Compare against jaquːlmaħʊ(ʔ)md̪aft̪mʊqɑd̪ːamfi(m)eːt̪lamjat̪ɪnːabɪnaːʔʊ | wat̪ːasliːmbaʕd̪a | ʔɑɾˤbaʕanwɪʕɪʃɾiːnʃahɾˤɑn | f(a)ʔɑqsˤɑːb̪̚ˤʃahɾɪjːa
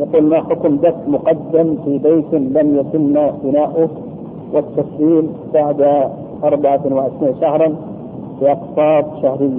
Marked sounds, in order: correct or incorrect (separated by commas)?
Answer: incorrect, incorrect, incorrect